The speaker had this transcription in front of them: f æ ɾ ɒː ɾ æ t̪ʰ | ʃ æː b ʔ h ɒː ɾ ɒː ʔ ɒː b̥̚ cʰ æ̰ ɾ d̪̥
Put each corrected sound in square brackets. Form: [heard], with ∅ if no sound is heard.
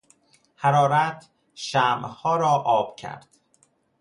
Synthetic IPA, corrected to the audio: [h] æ ɾ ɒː ɾ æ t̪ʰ | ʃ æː [m] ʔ h ɒː ɾ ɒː ʔ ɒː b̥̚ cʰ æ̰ ɾ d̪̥